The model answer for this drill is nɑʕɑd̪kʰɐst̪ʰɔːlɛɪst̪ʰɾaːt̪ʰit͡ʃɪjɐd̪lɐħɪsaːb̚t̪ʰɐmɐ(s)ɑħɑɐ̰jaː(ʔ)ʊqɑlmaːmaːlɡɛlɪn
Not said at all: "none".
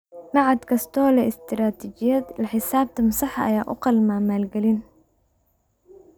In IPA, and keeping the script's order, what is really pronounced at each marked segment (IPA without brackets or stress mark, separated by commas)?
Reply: s, ʔ